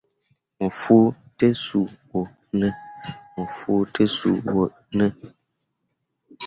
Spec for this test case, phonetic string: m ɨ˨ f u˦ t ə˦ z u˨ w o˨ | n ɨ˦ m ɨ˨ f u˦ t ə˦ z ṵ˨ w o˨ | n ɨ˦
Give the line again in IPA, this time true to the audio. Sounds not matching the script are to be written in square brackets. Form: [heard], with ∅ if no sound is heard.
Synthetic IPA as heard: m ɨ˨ f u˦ t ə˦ [s] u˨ w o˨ | n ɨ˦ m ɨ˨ f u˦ t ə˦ [s] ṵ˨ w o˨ | n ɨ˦